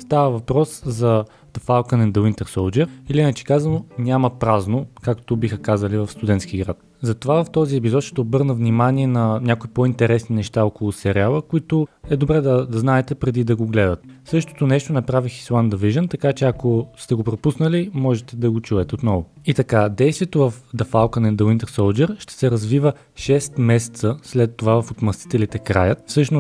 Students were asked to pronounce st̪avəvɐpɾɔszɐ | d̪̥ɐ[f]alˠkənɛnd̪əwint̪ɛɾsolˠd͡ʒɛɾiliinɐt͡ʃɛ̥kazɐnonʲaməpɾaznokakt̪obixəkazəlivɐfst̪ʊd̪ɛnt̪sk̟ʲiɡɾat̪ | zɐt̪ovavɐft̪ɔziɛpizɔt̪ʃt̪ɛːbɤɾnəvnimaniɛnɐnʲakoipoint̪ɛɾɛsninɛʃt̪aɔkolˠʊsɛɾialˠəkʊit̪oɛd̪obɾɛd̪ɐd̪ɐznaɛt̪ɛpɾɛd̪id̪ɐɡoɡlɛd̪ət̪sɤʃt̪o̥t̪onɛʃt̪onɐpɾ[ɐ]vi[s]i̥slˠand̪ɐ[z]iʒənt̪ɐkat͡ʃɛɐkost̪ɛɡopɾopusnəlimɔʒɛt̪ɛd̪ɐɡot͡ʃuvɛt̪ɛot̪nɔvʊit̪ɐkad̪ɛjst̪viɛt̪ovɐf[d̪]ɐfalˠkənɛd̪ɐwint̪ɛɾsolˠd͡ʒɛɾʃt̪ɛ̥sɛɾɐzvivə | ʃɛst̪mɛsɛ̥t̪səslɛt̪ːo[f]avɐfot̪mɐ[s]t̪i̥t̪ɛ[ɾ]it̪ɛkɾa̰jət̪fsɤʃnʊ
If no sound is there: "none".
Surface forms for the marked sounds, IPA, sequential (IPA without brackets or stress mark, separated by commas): f, a, x, v, d̪, v, s, l